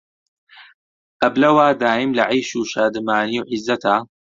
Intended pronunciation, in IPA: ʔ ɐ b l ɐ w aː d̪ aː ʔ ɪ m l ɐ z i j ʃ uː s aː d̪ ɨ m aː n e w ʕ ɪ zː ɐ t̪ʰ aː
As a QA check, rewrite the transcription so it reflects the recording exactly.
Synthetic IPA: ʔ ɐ b l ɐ w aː d̪ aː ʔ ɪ m l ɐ ʕ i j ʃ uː ʃ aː d̪ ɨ m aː n i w ʕ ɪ zː ɐ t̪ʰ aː